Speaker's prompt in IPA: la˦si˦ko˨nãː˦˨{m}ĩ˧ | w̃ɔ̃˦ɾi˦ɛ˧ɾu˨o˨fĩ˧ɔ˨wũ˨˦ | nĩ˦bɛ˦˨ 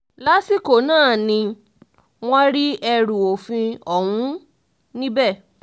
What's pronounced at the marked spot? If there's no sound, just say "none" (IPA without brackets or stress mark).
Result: n